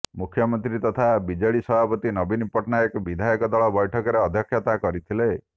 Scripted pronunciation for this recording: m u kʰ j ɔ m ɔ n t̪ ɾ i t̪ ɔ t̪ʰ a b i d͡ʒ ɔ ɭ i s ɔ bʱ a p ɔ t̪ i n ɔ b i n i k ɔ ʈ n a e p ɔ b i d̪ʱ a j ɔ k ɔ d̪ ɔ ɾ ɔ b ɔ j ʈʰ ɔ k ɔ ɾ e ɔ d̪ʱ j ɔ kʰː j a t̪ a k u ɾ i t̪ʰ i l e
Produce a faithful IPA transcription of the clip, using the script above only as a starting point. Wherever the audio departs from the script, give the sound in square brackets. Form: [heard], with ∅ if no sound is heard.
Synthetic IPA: m u kʰ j ɔ m ɔ n t̪ ɾ i t̪ ɔ t̪ʰ a b i d͡ʒ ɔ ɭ i s ɔ bʱ a p ɔ t̪ i n ɔ b i n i [p] ɔ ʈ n a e [k] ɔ b i d̪ʱ a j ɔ k ɔ d̪ ɔ [ɭ] ɔ b ɔ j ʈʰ ɔ k ɔ ɾ e ɔ d̪ʱ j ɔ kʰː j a t̪ a k [ɔ] ɾ i t̪ʰ i l e